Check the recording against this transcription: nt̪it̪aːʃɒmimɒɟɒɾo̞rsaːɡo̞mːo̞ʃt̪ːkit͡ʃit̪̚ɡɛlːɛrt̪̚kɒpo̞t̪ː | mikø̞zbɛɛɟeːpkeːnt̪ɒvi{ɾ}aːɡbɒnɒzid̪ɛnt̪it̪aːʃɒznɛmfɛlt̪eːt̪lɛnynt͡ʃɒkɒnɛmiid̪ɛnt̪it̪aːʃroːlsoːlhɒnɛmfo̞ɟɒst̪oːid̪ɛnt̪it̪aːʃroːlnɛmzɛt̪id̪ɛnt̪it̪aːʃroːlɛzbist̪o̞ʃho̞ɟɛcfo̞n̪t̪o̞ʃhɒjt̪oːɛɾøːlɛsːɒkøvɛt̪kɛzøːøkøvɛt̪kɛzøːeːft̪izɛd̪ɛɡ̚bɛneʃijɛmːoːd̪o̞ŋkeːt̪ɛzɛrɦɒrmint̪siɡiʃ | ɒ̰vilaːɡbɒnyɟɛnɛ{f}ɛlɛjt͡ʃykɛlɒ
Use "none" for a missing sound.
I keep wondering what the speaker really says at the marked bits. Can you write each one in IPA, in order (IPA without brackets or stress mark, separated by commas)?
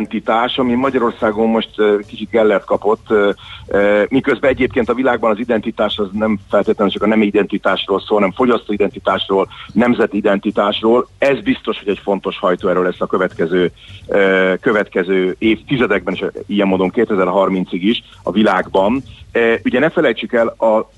l, f